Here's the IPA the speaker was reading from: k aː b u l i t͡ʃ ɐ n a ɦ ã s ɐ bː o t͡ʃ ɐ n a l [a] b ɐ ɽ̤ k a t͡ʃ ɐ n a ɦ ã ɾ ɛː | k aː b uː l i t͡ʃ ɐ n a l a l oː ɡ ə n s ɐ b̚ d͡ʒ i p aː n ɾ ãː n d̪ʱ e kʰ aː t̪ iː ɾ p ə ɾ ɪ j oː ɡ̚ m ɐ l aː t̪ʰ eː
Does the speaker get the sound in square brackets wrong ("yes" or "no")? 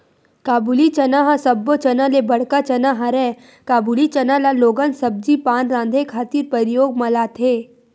yes